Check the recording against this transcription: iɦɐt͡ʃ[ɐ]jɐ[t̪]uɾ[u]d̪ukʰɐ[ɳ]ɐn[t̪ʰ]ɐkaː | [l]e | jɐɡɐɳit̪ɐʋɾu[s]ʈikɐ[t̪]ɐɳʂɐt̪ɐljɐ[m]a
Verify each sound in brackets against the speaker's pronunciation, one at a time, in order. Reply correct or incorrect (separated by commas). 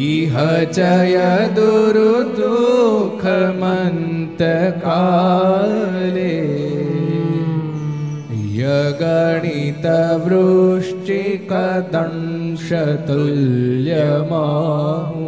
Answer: correct, incorrect, correct, incorrect, incorrect, correct, incorrect, incorrect, correct